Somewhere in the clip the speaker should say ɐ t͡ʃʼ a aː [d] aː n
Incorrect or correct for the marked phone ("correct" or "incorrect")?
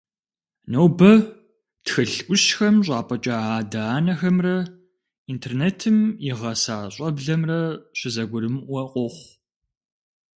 correct